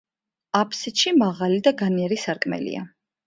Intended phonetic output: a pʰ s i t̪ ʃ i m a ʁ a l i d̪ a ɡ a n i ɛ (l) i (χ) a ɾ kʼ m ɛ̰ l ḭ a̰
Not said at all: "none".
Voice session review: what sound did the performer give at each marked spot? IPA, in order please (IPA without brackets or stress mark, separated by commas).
ɾ, s